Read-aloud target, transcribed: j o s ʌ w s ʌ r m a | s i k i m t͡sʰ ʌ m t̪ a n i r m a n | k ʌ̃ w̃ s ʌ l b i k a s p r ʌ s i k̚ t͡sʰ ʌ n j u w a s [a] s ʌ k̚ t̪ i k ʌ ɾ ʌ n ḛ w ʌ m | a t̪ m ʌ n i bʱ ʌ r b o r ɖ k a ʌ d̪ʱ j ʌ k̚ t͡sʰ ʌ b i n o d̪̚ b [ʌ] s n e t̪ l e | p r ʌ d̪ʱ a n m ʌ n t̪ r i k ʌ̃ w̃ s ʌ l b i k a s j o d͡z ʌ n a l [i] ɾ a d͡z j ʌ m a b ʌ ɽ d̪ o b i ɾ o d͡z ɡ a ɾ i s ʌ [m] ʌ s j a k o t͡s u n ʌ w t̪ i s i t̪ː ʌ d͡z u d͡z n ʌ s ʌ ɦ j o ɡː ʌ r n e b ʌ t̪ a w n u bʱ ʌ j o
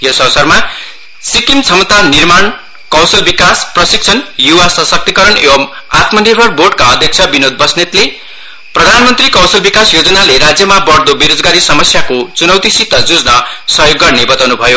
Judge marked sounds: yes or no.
no, yes, no, yes

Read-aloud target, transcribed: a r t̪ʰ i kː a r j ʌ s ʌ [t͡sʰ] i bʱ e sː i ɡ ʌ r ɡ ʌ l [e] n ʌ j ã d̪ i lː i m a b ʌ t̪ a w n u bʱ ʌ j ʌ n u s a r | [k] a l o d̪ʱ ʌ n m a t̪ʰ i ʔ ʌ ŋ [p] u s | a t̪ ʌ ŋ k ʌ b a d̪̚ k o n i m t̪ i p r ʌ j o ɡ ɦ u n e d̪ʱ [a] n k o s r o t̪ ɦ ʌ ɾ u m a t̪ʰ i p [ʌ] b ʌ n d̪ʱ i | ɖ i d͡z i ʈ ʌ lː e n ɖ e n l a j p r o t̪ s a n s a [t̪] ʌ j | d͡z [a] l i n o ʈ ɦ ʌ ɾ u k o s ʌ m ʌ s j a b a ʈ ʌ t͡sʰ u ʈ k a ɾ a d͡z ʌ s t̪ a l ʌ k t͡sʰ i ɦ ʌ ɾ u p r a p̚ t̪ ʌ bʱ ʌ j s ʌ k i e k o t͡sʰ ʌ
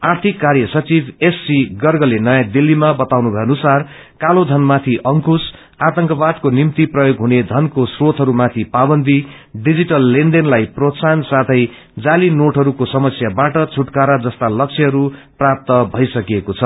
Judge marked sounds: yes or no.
no, yes, yes, no, no, no, no, yes

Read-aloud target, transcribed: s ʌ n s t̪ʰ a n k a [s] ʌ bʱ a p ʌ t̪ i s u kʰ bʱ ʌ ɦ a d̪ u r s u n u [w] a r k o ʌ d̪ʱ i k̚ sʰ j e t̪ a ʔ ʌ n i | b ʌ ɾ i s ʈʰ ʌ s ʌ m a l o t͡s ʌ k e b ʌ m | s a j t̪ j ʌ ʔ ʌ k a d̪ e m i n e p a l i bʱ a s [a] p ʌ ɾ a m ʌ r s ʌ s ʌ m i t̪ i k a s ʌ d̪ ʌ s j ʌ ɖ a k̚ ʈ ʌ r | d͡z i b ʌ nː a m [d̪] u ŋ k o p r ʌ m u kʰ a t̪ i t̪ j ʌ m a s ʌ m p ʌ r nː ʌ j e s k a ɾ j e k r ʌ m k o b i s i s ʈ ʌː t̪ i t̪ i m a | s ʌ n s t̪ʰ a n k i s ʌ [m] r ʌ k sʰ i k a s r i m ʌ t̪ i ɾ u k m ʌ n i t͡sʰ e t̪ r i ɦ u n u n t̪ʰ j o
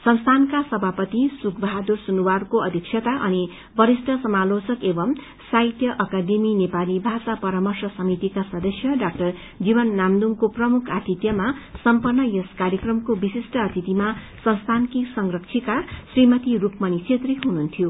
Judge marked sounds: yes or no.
yes, yes, yes, yes, no

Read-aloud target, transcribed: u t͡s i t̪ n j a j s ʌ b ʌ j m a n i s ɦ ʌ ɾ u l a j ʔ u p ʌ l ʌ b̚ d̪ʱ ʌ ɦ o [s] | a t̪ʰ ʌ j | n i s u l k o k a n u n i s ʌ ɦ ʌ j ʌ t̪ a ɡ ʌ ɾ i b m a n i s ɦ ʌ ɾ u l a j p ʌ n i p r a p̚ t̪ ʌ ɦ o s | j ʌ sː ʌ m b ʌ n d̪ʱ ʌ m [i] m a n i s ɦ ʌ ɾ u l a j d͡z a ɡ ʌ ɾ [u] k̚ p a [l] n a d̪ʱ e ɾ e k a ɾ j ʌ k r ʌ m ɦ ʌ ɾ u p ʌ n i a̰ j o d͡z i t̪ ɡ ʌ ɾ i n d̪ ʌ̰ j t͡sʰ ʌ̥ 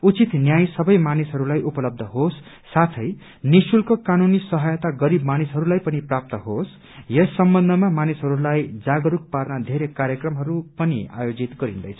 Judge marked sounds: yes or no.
no, no, yes, no

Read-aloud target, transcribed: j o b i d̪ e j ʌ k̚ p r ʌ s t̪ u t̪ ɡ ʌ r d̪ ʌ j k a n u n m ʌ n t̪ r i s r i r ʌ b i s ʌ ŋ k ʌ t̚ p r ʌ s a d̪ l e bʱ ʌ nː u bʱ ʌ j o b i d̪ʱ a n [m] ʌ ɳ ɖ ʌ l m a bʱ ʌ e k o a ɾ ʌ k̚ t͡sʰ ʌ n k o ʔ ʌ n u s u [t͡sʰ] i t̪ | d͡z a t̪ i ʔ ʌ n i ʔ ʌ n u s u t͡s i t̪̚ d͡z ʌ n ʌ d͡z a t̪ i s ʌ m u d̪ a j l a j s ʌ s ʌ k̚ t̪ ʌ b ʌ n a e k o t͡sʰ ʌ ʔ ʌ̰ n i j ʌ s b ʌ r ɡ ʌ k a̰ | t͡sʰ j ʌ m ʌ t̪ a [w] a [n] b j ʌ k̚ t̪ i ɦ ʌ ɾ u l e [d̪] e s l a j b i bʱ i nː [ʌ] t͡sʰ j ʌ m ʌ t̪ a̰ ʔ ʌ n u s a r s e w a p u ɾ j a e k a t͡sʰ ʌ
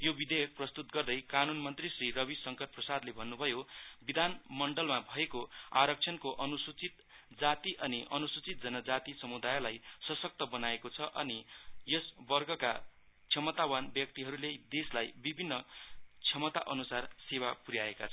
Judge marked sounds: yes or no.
yes, no, yes, yes, yes, yes

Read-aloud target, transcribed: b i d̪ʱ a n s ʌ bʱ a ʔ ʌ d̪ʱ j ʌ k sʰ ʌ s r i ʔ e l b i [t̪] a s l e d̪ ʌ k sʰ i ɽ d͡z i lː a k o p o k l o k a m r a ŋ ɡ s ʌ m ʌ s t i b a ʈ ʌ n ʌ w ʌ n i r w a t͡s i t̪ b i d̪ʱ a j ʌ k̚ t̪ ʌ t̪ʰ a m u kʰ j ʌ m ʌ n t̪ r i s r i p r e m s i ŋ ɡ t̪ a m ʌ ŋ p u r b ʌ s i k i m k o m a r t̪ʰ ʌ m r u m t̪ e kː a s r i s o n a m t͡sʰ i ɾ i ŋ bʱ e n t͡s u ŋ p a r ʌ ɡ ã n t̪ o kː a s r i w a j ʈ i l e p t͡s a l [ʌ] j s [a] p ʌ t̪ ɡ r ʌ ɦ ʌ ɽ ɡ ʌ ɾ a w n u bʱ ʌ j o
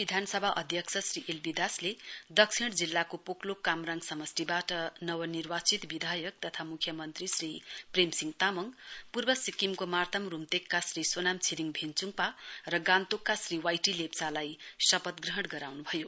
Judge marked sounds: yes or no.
no, no, no

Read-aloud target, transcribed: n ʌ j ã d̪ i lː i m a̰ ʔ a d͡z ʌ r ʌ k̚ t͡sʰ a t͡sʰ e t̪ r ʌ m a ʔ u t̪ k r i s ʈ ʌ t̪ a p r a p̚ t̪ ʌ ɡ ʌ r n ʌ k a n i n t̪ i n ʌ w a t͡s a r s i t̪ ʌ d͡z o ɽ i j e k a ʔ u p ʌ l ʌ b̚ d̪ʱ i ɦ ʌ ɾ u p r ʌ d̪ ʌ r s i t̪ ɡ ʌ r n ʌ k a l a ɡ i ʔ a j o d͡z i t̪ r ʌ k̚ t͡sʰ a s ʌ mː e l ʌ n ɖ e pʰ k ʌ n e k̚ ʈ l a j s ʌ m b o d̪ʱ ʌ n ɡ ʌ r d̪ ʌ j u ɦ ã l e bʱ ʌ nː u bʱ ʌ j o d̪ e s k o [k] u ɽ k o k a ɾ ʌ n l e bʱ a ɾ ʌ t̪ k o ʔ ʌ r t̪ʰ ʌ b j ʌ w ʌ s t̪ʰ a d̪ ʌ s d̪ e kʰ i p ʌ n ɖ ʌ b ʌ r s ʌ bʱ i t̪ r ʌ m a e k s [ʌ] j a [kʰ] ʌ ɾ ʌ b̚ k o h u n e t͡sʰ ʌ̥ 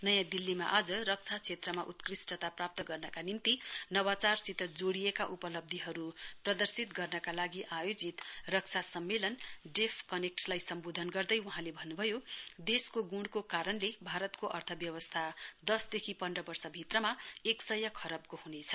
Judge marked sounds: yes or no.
no, yes, yes

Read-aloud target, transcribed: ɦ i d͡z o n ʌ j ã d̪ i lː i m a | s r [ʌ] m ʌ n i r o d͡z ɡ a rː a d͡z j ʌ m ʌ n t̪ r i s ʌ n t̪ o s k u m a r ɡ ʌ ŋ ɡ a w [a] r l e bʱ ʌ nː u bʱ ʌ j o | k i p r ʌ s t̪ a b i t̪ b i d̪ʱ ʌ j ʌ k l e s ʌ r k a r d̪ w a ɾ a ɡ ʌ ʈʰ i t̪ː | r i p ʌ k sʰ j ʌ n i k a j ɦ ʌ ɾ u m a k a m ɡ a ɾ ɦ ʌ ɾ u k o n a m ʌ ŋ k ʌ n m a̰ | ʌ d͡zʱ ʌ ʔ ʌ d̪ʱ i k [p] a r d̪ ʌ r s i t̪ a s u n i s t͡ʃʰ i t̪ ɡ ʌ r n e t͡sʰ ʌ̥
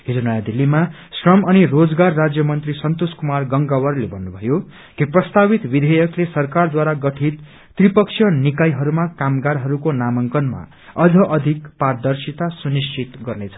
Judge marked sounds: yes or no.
yes, no, yes

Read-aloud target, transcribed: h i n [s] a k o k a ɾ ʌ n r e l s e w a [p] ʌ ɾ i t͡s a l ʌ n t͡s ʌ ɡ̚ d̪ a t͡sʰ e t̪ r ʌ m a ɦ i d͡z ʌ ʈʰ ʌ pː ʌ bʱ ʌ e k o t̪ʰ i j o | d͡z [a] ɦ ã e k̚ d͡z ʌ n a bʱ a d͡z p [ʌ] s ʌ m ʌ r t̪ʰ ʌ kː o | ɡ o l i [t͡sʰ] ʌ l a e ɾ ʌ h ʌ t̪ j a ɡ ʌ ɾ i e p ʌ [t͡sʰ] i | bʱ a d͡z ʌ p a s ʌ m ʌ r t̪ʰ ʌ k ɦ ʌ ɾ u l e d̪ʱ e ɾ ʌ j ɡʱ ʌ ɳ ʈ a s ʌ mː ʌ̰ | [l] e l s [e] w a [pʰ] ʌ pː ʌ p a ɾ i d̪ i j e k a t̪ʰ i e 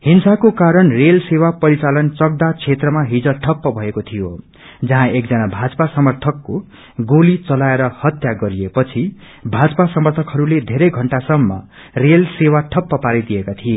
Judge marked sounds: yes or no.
yes, yes, no, no, no, yes, no, yes, no

